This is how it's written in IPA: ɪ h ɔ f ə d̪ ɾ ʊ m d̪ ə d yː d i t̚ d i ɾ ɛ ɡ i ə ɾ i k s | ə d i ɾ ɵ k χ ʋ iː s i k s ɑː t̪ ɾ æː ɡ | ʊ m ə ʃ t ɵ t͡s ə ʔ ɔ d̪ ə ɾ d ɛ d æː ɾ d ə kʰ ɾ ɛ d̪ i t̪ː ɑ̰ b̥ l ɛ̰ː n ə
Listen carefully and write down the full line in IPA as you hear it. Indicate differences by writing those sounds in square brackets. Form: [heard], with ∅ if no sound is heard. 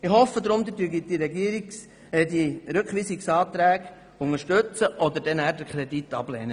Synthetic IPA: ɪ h ɔ f ə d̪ ɾ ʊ m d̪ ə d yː [ɡ] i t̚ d i ɾ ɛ ɡ i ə ɾ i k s | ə d i ɾ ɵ k χ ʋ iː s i k s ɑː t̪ ɾ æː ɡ | ʊ [ŋ] ə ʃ t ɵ t͡s ə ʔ ɔ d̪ ə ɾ d ɛ [n] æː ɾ d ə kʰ ɾ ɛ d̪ i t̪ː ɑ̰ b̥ l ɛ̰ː n ə

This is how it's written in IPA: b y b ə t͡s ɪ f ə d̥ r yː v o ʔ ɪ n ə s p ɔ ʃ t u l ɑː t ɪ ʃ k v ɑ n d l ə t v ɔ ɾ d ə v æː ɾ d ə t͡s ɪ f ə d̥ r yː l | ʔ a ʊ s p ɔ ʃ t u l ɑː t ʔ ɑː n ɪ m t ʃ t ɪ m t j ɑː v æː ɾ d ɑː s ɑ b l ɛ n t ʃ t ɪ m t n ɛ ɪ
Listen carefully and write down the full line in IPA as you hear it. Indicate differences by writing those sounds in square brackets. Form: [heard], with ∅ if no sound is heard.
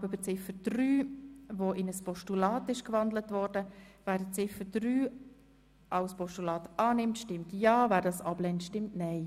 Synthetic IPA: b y b ə t͡s ɪ f ə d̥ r yː v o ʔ ɪ n ə s p ɔ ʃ t u l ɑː t ɪ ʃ k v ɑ n d l ə t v ɔ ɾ d ə v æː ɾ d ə t͡s ɪ f ə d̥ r yː [∅] | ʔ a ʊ s p ɔ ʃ t u l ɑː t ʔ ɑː n ɪ m t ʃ t ɪ m t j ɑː v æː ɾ d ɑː s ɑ b l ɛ n t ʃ t ɪ m t n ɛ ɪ

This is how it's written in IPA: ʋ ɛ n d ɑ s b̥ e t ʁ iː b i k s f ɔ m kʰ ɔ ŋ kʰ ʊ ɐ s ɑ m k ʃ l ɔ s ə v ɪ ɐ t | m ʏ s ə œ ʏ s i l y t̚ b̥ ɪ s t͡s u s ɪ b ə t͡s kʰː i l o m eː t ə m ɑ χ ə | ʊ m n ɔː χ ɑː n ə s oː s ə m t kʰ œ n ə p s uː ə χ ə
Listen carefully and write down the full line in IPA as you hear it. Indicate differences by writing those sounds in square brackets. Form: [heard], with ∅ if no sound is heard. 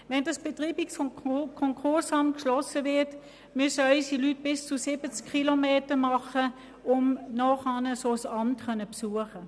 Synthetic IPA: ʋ ɛ n d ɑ s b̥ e t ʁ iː b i k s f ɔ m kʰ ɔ ŋ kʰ ʊ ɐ s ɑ m k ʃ l ɔ s ə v ɪ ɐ t | m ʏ s ə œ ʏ s i l y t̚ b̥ ɪ s t͡s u s ɪ b ə t͡s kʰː i l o m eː t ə m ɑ χ ə | ʊ m n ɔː χ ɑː n ə s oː s [ɑ] m t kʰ œ n ə p s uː ə χ ə

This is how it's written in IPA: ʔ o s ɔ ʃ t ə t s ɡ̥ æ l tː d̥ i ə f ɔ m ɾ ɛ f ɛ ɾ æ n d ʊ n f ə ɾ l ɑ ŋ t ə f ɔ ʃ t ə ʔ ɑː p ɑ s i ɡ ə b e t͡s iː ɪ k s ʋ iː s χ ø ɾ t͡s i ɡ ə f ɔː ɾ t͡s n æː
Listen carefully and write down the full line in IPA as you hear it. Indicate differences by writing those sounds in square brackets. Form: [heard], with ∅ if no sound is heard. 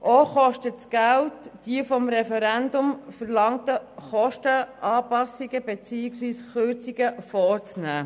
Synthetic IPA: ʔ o [χ] ɔ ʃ t ə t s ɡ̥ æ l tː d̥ i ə f ɔ m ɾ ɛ f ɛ ɾ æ n d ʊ [m] f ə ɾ l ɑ ŋ t ə [χ] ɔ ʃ t ə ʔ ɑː p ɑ s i ɡ ə b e t͡s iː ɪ k s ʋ iː s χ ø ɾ t͡s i ɡ ə f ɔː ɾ t͡s n æː

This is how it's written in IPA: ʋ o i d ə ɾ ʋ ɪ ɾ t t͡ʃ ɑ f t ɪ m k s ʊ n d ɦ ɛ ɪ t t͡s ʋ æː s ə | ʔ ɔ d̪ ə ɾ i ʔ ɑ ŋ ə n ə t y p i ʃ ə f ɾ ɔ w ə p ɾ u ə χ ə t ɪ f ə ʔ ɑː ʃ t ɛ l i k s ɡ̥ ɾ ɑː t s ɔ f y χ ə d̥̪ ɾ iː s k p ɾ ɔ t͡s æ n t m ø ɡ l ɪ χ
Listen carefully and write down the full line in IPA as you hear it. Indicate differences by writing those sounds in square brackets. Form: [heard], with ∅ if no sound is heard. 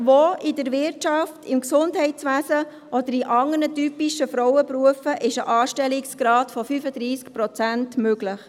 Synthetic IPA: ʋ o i d ə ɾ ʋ ɪ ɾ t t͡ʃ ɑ f t ɪ m k s ʊ n d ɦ ɛ ɪ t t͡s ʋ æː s ə | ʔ ɔ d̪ ə ɾ i ʔ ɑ ŋ ə n ə t y p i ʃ ə f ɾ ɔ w ə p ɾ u ə [f] ə [ʔ] ɪ [ʃ] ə ʔ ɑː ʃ t ɛ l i k s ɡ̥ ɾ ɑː t [f] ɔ f y [f] ə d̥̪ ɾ iː s k p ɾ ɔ t͡s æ n t m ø ɡ l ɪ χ

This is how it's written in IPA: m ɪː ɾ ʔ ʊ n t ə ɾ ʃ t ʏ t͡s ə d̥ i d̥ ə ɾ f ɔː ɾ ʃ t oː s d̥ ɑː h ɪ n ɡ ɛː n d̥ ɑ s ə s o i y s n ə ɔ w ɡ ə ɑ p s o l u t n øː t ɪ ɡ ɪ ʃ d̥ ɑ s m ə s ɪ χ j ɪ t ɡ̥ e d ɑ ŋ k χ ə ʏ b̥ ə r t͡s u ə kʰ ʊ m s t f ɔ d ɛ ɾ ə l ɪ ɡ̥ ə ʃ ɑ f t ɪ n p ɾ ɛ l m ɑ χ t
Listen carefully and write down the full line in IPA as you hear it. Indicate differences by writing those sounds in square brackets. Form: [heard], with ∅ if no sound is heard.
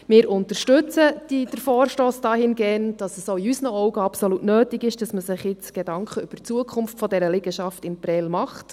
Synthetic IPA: m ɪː ɾ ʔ ʊ n t ə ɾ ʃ t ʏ t͡s ə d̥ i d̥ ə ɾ f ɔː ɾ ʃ t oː s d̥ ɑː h ɪ n ɡ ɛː n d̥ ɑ s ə s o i y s n ə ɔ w ɡ ə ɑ p s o l u t n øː t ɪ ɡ ɪ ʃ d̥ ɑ s m ə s ɪ χ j ɪ [t͡s] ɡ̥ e d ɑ ŋ k χ ə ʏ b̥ ə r t͡s u ə kʰ ʊ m [f] t f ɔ d ɛ ɾ ə l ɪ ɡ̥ ə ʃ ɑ f t ɪ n p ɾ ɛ l m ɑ χ t

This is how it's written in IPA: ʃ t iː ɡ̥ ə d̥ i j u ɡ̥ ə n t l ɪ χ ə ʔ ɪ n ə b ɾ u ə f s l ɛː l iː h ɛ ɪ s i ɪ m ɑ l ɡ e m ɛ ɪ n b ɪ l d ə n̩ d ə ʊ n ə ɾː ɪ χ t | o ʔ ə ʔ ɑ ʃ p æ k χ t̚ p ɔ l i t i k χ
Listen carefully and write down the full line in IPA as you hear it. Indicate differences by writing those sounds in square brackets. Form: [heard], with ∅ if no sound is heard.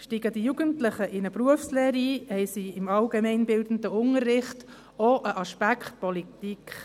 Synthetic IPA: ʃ t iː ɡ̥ ə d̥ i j u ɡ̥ ə n t l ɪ χ ə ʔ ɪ n ə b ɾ u ə f s l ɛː [ɾ] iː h ɛ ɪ s i ɪ m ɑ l ɡ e m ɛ ɪ n b ɪ l d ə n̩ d ə ʊ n ə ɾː ɪ χ t | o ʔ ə ʔ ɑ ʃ p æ k χ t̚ p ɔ l i t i k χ

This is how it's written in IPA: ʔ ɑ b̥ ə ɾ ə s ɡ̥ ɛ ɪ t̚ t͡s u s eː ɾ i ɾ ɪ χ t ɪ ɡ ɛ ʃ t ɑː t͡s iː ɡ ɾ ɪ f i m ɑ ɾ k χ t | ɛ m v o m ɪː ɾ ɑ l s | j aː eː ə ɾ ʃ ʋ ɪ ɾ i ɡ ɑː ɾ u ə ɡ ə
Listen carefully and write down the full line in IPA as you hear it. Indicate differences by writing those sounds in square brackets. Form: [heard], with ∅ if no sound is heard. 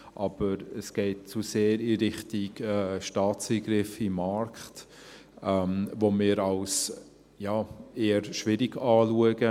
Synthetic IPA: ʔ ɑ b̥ ə ɾ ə s ɡ̥ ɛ ɪ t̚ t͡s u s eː ɾ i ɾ ɪ χ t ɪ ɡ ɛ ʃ t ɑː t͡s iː ɡ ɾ ɪ f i m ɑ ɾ k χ t | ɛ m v o m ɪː ɾ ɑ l s | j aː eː ə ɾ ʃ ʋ ɪ ɾ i ɡ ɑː [l] u ə ɡ ə

